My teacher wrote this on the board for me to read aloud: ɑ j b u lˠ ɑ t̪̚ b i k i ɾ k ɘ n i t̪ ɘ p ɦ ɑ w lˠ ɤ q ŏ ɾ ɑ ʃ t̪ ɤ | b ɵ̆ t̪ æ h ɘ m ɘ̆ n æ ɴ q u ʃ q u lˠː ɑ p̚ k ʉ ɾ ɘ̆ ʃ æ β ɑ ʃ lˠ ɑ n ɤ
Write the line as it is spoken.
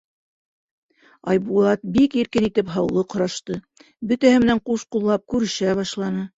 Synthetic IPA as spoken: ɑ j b u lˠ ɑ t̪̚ b i k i ɾ k ɘ n i t̪ ɘ p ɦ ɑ w lˠ ɤ q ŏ ɾ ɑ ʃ t̪ ɤ | b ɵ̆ t̪ æ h ɘ m ɘ̆ n æ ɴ q u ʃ q u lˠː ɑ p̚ k ʉ ɾ ɘ̆ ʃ æ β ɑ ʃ lˠ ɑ n ɤ